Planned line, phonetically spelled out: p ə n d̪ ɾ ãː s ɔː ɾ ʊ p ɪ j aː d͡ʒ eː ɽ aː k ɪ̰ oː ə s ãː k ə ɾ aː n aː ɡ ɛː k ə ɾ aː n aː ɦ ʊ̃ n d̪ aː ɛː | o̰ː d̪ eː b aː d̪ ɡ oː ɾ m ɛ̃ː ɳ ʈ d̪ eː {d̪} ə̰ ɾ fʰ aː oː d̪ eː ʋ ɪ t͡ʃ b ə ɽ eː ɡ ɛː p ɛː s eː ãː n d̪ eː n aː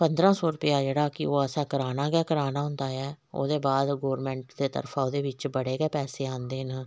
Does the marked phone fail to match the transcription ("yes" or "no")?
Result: yes